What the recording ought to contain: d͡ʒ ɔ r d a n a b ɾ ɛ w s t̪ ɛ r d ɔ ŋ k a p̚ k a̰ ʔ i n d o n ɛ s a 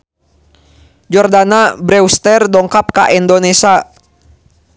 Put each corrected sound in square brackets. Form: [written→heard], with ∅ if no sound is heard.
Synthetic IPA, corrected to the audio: d͡ʒ ɔ r d a n a b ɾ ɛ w s t̪ ɛ r d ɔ ŋ k a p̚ k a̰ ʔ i n d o n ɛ s a